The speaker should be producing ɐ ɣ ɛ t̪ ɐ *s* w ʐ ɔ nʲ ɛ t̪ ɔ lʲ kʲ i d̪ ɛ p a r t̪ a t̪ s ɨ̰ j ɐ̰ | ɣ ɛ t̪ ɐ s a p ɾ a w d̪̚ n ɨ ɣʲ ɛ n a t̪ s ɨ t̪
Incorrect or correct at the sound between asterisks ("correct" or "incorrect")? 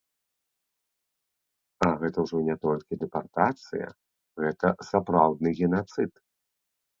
incorrect